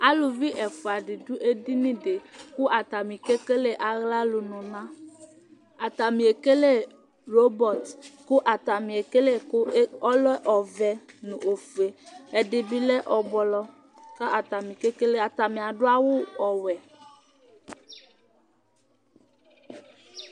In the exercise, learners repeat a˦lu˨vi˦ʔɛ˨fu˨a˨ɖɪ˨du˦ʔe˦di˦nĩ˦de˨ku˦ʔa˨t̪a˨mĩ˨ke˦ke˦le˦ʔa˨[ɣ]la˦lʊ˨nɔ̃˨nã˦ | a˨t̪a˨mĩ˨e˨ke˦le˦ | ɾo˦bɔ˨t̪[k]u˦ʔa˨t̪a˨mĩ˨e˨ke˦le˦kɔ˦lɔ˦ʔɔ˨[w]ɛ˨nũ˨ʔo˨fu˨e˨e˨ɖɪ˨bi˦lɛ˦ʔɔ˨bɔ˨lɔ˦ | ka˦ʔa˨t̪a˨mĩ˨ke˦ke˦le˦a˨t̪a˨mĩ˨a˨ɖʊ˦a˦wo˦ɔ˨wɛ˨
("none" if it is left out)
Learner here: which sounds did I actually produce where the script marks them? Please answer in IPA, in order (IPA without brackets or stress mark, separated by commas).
ɣ, k, v